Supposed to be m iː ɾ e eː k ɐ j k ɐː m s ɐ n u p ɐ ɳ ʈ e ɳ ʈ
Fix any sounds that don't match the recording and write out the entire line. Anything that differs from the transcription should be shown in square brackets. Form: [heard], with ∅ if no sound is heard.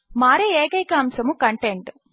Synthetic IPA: m [aː] ɾ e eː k ɐ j k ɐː m s ɐ [m] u [k] ɐ ɳ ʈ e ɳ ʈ